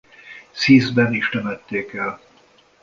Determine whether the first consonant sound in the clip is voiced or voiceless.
voiceless